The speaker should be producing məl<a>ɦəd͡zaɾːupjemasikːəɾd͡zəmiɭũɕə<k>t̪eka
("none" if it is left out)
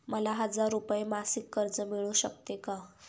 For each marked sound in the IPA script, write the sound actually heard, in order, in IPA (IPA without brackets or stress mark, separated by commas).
a, k